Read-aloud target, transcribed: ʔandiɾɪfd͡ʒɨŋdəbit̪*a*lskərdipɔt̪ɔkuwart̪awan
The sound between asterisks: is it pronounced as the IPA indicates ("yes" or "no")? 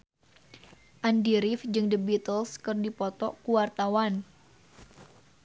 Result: no